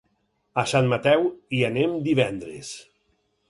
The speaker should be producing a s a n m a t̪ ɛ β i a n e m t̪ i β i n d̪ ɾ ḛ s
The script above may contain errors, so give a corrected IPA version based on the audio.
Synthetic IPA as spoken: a s a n m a t̪ ɛ w i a n e m d̪ i β ɛ n d̪ ɾ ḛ s